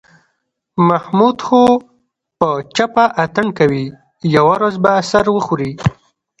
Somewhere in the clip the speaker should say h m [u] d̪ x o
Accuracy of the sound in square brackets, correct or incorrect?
correct